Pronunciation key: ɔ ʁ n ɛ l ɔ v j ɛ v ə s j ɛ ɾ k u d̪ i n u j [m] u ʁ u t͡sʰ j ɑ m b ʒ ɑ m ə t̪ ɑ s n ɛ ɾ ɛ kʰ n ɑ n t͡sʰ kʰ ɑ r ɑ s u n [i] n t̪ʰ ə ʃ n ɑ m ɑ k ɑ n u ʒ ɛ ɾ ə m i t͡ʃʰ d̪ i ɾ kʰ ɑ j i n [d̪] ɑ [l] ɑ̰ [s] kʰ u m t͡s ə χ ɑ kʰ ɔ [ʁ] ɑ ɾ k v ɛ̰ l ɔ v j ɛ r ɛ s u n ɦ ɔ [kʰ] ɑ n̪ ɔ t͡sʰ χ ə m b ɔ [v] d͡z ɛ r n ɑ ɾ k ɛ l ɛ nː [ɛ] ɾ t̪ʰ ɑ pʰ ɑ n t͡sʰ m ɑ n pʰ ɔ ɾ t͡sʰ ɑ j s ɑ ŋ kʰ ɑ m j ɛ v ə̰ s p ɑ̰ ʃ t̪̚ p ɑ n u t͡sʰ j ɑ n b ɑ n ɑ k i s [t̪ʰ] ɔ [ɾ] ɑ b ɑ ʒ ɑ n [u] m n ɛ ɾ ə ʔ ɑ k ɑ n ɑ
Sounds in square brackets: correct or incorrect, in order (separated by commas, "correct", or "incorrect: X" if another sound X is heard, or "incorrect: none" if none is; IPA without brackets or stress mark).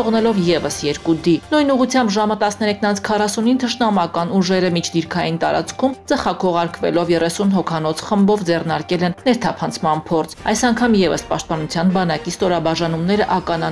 incorrect: n, correct, incorrect: t̪, incorrect: ɾ, incorrect: t͡s, correct, correct, correct, correct, incorrect: t̪, correct, correct